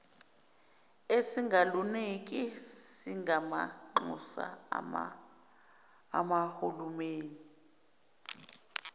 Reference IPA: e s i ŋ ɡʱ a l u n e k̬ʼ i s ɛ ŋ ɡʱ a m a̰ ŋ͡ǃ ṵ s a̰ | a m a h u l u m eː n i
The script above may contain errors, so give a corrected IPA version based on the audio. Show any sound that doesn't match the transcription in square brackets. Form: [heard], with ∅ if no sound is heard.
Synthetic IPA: e s i ŋ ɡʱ a l u n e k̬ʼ i s [i] ŋ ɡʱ a m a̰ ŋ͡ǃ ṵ s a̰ | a m a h u l u m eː n i